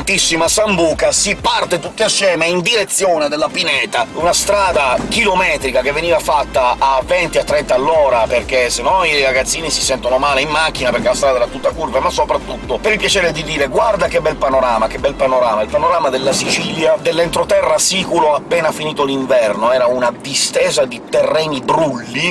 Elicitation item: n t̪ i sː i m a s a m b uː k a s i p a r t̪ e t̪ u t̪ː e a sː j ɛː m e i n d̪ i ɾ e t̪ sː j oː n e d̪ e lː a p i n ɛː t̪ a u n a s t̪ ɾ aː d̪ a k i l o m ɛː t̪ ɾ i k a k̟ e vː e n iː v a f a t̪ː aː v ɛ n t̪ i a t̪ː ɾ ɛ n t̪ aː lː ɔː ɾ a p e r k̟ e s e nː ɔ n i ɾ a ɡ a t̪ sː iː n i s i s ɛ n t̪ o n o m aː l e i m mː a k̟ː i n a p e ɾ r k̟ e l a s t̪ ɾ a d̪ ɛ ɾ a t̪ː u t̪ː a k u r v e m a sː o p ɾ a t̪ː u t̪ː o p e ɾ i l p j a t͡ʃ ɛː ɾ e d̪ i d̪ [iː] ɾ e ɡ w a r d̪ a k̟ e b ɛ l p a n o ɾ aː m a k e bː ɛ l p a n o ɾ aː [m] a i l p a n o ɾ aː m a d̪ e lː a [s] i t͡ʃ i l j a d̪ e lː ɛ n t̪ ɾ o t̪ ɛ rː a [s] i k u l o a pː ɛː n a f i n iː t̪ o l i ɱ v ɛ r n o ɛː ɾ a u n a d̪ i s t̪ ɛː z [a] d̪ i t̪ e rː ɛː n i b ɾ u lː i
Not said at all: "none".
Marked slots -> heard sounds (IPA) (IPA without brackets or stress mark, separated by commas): iː, m, s, s, a